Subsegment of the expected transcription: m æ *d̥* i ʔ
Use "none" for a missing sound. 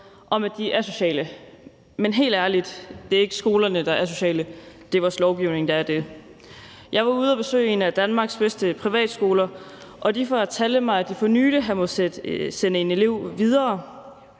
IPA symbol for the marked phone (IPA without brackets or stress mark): d̥